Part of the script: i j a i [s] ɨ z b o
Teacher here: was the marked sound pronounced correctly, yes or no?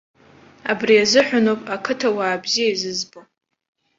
no